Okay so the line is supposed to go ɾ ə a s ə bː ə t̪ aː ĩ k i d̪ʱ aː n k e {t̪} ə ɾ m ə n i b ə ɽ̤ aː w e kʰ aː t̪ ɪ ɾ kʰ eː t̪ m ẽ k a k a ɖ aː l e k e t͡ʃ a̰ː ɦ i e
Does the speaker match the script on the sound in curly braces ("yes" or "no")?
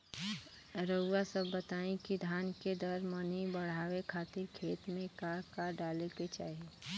no